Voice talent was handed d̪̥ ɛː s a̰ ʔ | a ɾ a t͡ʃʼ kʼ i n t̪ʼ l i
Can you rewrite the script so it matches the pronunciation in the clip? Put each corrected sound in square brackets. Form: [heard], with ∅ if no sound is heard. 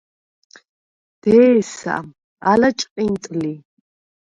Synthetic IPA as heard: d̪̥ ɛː s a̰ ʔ | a [l] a t͡ʃʼ [qʼ] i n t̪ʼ l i